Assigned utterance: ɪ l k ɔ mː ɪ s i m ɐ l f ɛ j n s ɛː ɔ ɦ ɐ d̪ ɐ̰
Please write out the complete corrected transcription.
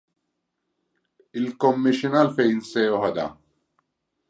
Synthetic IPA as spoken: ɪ l k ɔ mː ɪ ʃ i n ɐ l f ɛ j n s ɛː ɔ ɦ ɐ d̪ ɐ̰